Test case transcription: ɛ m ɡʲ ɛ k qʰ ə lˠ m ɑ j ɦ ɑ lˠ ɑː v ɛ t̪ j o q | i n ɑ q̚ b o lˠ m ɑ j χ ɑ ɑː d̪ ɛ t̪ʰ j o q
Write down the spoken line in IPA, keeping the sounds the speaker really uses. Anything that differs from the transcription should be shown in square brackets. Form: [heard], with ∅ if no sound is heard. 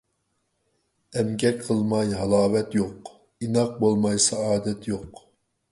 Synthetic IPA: ɛ m ɡʲ ɛ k qʰ ə lˠ m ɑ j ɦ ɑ lˠ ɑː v ɛ t̪ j o q | i n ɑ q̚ b o lˠ m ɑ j [s] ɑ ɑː d̪ ɛ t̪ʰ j o q